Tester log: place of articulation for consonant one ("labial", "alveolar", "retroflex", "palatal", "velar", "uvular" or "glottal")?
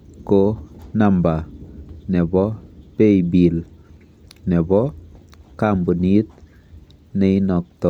velar